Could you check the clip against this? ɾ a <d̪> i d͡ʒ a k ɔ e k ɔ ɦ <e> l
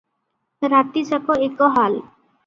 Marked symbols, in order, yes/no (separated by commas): no, no